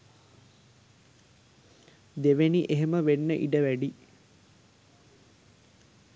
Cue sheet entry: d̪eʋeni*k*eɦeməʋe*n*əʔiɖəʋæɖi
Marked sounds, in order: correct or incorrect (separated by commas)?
incorrect, incorrect